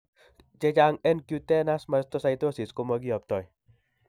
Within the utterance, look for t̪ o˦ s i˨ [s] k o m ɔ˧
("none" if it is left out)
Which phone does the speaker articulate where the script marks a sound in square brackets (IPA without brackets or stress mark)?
s